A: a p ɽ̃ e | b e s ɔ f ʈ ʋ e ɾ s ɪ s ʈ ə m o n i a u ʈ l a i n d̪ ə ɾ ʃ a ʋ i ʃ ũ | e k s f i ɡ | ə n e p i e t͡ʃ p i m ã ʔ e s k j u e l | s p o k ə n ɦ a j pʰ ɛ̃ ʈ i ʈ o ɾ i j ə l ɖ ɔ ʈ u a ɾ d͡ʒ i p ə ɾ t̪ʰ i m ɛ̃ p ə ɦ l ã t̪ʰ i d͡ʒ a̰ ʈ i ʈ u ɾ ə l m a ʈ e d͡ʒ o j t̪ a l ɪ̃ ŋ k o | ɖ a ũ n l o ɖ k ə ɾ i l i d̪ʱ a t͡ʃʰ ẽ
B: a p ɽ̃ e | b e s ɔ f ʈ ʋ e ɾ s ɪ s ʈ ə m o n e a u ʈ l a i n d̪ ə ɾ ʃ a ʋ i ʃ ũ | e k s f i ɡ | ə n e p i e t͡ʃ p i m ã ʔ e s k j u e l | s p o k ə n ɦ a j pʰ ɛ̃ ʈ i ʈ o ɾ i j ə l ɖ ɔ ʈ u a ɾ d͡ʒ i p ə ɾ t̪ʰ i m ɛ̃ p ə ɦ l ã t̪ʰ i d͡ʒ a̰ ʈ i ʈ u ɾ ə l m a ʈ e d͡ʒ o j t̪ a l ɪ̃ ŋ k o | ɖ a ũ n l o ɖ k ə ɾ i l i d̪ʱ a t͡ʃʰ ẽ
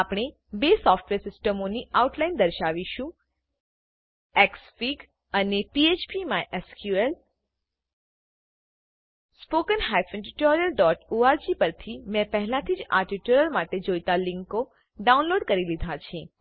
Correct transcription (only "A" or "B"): A